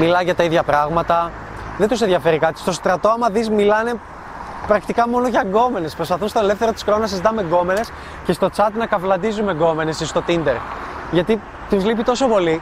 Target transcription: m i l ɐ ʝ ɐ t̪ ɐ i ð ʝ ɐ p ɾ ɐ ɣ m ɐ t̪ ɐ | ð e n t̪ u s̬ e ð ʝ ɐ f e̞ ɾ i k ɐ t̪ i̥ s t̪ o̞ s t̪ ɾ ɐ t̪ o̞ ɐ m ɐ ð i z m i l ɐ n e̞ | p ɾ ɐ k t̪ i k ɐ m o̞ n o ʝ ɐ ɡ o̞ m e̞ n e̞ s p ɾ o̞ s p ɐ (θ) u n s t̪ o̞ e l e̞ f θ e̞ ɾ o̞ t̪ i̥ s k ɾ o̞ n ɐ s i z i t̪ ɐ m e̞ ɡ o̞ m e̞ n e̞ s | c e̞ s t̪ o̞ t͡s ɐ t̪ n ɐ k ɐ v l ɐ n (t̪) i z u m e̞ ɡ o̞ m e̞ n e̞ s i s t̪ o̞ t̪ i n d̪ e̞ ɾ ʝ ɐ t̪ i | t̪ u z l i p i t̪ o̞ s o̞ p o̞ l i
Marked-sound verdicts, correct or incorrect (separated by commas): correct, incorrect